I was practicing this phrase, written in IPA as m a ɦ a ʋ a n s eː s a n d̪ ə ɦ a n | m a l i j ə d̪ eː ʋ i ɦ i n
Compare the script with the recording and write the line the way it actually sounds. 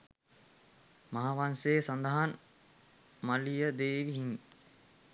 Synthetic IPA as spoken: m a ɦ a ʋ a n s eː s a n d̪ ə ɦ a n | m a l i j ə d̪ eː ʋ i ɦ i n